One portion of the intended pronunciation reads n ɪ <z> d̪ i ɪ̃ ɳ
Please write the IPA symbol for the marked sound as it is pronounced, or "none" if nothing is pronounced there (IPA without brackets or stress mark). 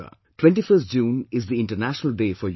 z